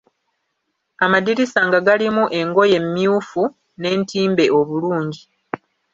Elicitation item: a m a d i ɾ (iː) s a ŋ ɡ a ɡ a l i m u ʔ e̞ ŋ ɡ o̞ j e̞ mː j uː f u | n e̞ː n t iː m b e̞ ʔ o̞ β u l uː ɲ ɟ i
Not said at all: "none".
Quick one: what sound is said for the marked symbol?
i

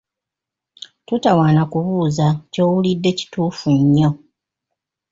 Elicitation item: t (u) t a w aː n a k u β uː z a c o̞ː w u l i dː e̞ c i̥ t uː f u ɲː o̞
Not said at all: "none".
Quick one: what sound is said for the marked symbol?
u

